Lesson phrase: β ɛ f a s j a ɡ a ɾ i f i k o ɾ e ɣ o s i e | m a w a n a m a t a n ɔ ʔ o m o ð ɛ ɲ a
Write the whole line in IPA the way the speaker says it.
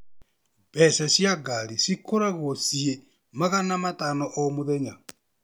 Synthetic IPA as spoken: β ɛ s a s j a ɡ a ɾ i s i k o ɾ a ɣ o s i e | m a ɣ a n a m a t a n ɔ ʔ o m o ð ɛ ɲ a